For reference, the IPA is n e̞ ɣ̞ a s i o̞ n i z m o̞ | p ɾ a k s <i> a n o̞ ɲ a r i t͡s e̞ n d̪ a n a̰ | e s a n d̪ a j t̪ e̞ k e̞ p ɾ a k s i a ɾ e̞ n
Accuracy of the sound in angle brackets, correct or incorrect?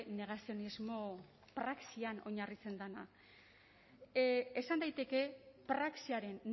correct